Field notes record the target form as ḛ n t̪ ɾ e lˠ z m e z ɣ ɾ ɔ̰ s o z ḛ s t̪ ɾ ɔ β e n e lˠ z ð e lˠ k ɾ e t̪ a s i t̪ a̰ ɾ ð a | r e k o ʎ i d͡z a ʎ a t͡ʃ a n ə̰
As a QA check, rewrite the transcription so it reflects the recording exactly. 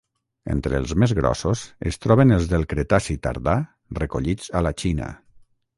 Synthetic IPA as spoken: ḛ n t̪ ɾ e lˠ z m e z ɣ ɾ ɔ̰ s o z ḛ s t̪ ɾ ɔ β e n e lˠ z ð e lˠ k ɾ e t̪ a s i t̪ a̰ ɾ ð a | r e k o ʎ i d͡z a l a t͡ʃ i n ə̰